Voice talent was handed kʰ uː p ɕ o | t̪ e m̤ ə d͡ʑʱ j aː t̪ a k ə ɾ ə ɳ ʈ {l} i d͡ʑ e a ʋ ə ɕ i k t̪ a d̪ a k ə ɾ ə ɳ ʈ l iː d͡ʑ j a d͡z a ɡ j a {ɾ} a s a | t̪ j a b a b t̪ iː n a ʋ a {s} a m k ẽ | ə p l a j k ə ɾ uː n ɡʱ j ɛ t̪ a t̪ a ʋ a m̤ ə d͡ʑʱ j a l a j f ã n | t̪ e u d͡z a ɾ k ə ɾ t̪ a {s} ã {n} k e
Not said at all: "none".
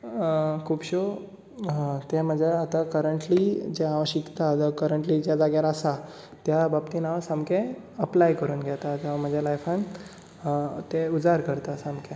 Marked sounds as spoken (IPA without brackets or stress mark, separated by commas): l, ɾ, s, s, m